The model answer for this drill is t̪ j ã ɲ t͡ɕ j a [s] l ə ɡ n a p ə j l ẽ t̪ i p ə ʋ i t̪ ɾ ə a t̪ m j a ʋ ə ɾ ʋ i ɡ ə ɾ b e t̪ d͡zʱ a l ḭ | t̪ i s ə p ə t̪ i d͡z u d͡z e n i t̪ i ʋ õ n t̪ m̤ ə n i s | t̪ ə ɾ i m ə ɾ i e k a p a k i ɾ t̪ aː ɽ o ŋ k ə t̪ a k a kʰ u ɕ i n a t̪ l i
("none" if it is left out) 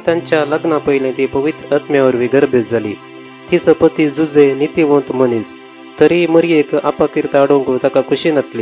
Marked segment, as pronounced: none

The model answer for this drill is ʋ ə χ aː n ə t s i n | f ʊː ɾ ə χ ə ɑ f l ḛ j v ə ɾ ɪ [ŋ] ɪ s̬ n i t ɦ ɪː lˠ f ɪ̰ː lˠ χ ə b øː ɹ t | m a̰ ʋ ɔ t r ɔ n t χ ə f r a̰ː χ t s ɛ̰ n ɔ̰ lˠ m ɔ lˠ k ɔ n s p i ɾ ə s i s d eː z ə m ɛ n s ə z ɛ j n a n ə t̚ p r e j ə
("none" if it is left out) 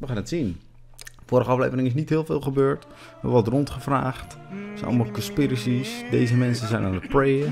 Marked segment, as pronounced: ŋ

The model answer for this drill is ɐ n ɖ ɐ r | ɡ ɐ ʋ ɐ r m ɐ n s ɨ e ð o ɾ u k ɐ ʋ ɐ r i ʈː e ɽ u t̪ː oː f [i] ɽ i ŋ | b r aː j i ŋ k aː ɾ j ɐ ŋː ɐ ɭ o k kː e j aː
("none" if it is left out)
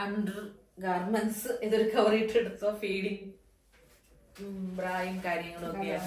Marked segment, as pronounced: iː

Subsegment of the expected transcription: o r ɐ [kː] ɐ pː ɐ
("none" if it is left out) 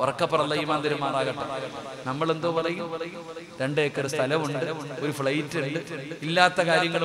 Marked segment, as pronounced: kː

